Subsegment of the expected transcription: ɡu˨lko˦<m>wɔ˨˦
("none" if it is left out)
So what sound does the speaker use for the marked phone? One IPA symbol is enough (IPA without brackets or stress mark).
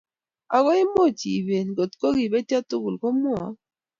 m